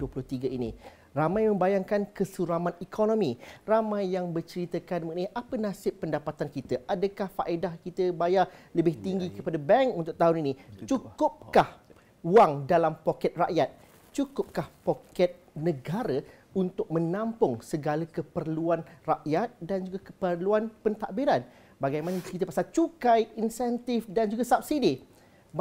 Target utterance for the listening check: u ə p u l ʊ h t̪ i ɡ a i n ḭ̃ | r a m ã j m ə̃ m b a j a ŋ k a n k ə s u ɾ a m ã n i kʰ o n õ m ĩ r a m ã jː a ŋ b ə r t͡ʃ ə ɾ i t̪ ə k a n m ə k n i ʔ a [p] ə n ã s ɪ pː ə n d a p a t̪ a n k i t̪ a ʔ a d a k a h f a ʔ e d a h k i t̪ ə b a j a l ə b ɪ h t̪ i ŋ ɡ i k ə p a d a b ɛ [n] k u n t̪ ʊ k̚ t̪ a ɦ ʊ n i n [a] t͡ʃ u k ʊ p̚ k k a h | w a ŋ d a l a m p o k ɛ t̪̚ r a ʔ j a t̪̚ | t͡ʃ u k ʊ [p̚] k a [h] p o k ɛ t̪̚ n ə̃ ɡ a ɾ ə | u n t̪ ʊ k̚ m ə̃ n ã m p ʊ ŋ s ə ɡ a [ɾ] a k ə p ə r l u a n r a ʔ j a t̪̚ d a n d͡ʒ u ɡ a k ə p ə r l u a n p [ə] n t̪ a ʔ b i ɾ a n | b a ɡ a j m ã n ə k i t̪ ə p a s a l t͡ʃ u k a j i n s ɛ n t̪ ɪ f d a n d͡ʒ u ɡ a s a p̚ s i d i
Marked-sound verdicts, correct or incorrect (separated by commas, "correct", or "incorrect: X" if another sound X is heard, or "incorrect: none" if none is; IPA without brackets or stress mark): correct, incorrect: ŋ, incorrect: i, correct, correct, incorrect: l, correct